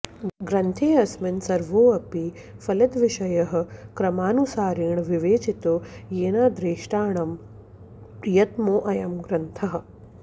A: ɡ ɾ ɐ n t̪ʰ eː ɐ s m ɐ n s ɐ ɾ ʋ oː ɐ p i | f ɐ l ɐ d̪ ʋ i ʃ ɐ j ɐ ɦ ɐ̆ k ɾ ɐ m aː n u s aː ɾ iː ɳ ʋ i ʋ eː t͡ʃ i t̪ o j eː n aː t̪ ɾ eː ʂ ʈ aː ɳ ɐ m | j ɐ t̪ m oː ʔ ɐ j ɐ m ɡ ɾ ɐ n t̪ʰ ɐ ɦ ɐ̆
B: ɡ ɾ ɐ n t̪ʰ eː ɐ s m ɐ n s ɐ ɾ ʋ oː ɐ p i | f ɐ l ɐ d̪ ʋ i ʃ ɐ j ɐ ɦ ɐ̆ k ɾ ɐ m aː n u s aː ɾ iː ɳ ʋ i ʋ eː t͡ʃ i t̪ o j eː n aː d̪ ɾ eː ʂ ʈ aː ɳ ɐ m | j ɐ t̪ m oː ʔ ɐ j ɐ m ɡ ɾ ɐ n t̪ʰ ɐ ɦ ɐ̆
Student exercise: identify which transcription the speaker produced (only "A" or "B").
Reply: B